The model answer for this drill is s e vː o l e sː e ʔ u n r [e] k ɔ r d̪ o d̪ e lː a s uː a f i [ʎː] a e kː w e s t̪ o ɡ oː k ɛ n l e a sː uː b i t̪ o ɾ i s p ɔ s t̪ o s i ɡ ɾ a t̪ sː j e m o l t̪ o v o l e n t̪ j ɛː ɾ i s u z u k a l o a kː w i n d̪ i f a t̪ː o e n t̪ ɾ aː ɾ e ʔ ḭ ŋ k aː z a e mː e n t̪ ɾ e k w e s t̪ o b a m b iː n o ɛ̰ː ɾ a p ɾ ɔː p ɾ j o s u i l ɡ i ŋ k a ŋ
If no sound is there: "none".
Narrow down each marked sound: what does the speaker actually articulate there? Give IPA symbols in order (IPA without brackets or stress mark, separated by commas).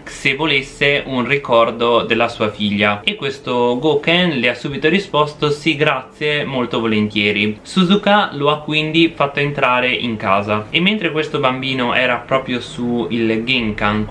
i, ʎː